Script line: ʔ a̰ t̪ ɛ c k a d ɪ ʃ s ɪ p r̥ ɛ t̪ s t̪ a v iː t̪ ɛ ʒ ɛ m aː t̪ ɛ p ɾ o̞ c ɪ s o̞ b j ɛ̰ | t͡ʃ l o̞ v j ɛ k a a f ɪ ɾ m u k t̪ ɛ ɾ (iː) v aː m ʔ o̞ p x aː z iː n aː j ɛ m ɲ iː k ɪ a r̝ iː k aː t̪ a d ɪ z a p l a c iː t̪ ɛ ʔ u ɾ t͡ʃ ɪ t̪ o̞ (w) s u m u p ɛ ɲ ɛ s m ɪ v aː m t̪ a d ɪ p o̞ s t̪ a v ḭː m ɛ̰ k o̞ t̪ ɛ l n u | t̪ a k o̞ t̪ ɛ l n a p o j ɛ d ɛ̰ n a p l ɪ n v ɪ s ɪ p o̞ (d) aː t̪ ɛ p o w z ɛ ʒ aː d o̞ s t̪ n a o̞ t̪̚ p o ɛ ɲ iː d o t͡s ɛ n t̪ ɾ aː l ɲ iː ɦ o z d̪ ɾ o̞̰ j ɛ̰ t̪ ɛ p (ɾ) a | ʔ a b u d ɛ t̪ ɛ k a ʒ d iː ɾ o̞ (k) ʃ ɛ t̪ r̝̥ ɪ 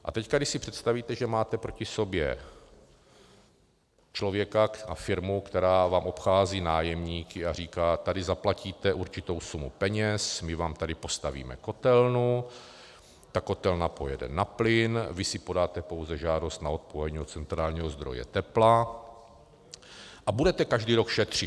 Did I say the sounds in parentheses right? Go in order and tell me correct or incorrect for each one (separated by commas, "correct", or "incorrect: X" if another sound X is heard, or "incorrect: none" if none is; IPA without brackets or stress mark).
incorrect: aː, correct, correct, incorrect: l, correct